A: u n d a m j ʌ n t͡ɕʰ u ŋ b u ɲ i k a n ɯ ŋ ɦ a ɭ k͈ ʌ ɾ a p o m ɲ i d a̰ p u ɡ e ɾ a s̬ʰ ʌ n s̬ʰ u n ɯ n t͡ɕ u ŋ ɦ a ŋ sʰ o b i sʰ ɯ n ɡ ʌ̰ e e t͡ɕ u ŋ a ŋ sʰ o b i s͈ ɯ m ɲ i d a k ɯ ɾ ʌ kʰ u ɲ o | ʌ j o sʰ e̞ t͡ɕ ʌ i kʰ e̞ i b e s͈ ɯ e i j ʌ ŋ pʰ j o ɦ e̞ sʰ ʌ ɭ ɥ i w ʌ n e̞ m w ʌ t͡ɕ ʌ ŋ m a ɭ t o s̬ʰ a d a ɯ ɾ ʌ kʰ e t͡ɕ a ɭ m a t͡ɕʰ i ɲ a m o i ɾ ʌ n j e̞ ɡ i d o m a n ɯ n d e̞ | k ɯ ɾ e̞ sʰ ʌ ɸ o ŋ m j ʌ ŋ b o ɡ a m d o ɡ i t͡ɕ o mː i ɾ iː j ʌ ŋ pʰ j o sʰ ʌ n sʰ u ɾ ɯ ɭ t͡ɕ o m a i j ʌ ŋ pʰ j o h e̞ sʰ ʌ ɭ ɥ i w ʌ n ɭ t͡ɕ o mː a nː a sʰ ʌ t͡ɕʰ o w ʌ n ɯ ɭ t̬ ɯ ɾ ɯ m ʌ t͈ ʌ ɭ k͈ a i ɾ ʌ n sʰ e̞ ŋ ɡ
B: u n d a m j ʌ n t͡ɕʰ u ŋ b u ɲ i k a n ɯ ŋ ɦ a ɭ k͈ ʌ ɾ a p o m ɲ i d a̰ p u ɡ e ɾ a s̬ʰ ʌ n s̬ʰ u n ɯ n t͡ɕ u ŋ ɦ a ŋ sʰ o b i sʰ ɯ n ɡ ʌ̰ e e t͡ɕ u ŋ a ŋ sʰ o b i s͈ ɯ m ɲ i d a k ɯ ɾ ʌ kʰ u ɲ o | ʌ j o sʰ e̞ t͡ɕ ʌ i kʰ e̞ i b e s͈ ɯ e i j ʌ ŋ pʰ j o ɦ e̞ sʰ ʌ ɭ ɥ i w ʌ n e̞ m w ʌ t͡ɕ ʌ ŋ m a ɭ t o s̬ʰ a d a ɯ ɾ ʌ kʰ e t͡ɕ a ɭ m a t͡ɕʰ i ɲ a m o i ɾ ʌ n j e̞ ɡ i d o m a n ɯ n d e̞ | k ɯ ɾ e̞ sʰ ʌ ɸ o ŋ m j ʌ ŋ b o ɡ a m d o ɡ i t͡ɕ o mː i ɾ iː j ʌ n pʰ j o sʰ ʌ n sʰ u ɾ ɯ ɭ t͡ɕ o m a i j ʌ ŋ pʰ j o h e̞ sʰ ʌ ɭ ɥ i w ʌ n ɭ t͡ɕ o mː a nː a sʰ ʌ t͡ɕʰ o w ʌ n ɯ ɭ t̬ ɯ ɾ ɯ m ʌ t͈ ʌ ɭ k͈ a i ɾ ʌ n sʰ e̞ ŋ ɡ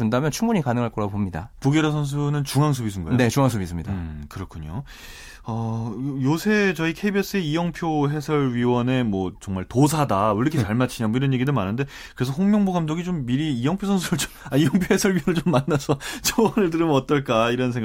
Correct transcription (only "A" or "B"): A